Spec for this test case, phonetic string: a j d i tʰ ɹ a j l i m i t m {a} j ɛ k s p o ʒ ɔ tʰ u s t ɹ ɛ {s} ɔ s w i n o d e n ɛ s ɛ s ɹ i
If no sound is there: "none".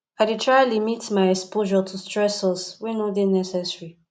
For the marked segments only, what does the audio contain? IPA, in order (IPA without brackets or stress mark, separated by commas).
a, s